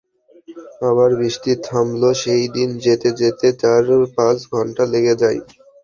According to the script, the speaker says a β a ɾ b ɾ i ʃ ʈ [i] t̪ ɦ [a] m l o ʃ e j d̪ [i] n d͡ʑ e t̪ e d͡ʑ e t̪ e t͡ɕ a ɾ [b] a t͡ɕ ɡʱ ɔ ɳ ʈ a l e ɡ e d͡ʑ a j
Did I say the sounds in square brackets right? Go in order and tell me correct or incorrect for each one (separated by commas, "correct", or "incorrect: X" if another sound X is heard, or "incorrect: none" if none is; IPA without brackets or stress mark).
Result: correct, correct, correct, incorrect: p